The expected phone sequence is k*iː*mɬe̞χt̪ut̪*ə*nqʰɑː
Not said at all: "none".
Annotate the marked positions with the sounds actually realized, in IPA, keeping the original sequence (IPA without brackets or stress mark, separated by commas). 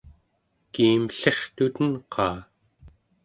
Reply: iː, ə